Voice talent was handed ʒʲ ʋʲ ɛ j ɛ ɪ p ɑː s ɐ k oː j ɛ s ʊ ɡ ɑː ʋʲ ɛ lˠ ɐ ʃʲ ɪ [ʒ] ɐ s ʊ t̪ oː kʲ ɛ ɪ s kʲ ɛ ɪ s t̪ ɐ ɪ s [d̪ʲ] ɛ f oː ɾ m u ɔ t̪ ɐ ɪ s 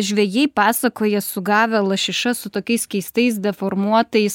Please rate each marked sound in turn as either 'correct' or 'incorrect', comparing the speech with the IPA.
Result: incorrect: ʃ, correct

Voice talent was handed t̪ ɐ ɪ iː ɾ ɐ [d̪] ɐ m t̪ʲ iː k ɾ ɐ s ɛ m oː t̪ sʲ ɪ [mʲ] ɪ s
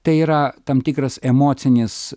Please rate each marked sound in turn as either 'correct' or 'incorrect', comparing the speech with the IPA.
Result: incorrect: t̪, incorrect: nʲ

